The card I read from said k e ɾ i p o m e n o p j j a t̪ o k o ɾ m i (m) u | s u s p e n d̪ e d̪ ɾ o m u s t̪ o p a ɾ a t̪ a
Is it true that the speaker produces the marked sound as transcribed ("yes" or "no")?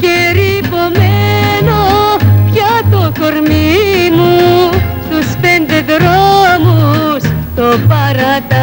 yes